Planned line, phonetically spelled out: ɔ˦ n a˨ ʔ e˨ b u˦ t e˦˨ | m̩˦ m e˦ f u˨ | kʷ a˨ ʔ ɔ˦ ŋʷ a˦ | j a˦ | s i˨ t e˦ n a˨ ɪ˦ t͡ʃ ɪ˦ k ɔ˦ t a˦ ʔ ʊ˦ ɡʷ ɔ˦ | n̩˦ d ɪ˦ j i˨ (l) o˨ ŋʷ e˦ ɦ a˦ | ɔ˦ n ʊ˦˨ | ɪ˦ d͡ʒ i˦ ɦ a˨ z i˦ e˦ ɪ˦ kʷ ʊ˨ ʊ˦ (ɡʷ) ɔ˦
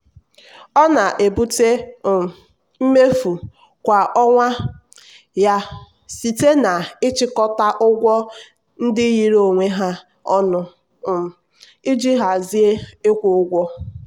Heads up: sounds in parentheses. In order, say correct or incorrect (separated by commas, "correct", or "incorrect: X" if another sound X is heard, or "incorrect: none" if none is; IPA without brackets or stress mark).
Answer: incorrect: ɾ, correct